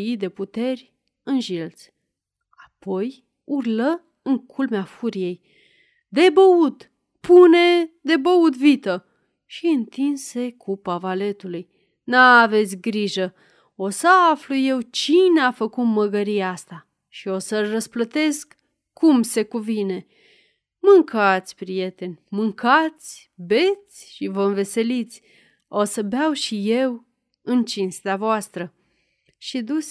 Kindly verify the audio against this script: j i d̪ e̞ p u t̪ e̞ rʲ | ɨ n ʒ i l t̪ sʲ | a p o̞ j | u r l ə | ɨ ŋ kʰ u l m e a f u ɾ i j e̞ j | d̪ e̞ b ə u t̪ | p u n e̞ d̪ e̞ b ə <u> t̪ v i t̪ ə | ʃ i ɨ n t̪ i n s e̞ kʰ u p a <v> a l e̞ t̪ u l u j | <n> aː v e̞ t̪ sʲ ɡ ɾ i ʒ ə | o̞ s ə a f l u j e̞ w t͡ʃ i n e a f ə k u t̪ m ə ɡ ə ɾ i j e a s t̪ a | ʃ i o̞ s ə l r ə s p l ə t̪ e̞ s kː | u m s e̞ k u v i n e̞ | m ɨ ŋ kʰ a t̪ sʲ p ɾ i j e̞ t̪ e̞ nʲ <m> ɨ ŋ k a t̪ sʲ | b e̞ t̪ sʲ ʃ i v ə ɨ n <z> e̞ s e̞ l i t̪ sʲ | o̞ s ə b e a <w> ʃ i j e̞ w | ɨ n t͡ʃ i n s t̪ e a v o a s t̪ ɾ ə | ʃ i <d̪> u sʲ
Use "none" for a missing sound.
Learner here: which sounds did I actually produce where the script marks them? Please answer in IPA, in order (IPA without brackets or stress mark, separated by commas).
u, v, n, m, v, w, d̪